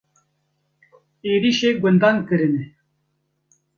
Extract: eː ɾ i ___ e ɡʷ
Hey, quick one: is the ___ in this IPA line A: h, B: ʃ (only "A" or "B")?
B